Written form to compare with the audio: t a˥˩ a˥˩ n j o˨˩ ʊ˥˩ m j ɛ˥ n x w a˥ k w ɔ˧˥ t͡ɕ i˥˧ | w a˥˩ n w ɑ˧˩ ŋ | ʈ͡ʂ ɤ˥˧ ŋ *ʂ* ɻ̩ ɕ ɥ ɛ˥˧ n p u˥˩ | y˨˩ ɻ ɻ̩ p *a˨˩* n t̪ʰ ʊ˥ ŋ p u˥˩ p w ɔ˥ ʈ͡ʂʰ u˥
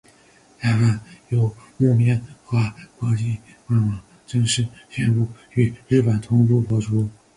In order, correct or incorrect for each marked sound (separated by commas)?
correct, incorrect